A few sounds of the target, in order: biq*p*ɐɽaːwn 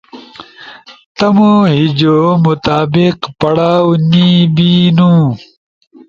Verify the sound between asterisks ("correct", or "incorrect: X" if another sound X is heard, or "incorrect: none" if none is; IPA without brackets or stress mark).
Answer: correct